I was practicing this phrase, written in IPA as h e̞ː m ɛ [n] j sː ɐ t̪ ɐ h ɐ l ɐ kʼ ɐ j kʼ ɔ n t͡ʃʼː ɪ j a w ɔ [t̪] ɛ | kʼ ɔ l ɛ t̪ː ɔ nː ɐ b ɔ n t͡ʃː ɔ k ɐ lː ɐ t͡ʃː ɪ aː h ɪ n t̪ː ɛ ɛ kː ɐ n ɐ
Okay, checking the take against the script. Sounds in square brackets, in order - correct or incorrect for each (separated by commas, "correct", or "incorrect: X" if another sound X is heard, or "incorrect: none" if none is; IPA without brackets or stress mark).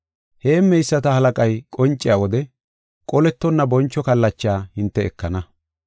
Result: incorrect: none, incorrect: d̪